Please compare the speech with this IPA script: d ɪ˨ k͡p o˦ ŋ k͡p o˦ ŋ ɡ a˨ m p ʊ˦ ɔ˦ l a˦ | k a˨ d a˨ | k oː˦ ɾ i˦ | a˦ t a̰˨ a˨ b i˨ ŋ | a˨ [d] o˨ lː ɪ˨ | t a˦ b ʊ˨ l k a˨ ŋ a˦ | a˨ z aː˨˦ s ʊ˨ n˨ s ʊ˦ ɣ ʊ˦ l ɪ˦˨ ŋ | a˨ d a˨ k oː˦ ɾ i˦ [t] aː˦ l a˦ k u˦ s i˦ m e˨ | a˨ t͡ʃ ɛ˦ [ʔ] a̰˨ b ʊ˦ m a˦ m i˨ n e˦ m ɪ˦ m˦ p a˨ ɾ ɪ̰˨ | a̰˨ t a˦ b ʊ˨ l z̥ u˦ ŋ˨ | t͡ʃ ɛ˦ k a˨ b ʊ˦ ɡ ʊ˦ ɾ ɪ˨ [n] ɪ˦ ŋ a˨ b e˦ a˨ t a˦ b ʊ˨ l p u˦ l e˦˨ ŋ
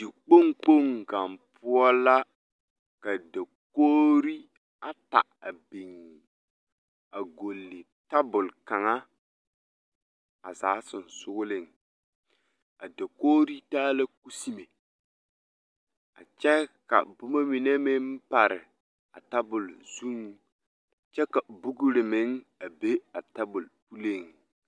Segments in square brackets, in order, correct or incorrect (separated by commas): incorrect, correct, incorrect, incorrect